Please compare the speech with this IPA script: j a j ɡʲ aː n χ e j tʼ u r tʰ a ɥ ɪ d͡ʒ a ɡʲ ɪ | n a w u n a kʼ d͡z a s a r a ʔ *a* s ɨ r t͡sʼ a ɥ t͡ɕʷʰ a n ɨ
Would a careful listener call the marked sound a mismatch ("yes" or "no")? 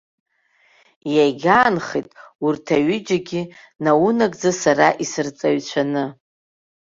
yes